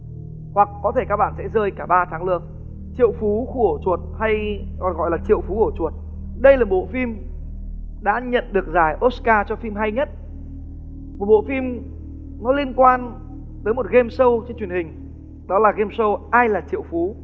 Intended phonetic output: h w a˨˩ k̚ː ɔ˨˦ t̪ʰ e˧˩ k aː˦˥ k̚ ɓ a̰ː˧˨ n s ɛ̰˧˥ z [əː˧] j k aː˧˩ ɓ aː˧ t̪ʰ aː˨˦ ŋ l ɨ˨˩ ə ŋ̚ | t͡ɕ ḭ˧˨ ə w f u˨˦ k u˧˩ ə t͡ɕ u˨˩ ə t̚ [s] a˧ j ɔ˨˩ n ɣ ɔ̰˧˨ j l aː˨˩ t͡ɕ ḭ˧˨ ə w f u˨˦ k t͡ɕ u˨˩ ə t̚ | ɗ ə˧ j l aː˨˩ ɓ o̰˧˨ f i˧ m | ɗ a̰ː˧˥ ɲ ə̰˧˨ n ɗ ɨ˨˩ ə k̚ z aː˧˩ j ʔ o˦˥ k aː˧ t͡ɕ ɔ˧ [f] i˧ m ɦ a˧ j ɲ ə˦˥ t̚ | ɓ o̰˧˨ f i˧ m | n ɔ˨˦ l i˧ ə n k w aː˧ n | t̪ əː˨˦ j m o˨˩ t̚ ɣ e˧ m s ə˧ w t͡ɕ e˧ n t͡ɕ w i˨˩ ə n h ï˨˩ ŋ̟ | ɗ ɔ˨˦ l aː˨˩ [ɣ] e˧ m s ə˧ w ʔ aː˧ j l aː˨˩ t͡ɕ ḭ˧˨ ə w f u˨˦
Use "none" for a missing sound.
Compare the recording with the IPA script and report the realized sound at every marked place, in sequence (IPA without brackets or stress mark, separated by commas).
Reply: əː˧, h, f, ɣ